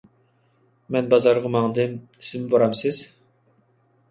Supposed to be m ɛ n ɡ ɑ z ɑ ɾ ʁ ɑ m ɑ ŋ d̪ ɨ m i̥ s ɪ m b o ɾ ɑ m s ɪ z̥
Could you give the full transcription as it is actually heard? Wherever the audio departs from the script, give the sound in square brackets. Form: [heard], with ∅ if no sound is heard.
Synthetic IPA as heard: m ɛ n [b] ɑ z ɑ ɾ ʁ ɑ m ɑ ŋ d̪ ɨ m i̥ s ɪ m b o ɾ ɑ m s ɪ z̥